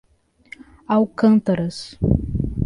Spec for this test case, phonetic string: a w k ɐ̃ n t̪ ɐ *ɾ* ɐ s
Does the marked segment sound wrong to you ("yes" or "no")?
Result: no